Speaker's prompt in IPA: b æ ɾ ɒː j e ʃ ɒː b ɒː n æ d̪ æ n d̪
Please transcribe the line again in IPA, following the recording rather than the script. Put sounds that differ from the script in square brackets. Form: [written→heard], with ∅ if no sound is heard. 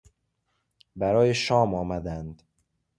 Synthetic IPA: b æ ɾ ɒː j e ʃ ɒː [b→m] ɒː [n→m] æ d̪ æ n d̪